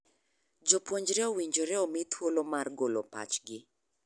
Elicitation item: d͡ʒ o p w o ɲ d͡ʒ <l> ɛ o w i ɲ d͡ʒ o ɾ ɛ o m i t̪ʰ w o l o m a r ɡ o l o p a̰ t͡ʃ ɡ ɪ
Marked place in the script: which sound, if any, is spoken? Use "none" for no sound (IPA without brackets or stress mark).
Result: ɾ